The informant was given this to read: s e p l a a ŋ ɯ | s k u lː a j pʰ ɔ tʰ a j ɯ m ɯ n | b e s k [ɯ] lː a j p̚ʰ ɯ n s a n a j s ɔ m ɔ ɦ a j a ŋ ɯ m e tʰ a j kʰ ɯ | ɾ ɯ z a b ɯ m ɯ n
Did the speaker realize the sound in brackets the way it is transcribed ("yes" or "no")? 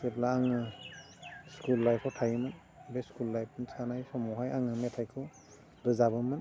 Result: no